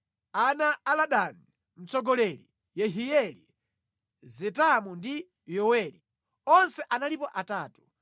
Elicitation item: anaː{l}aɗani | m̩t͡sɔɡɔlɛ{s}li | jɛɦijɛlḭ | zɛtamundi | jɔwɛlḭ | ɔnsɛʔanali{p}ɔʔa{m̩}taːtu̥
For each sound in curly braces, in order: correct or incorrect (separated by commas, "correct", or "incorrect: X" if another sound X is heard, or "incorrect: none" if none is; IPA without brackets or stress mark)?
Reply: correct, incorrect: none, correct, incorrect: none